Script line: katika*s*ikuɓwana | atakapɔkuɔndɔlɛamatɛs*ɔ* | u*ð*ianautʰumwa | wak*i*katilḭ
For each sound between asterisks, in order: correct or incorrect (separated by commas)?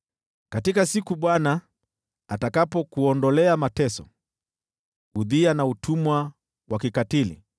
correct, correct, correct, correct